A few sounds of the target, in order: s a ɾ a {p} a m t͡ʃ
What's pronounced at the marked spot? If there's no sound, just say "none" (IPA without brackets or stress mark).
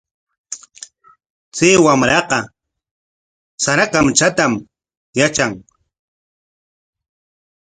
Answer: k